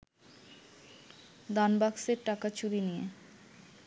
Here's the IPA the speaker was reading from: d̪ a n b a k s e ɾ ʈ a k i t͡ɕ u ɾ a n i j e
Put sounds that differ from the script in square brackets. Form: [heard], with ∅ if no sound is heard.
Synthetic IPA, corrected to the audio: d̪ a n b a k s e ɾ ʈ a k [a] t͡ɕ u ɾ [i] n i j e